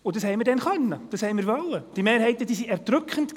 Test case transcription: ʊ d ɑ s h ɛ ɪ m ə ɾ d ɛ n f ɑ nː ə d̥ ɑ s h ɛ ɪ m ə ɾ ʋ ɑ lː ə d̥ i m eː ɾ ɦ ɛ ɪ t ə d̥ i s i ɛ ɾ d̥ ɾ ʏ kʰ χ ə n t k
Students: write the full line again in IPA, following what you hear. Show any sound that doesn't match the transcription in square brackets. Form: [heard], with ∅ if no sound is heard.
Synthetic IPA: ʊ d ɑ s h ɛ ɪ m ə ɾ d ɛ n [χ] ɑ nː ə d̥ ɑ s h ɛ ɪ m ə ɾ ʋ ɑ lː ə d̥ i m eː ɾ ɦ ɛ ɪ t ə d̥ i s i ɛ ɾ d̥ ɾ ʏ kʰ χ ə n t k